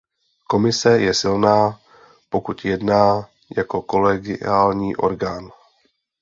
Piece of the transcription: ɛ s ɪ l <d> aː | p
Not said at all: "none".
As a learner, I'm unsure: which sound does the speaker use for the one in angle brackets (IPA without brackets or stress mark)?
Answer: n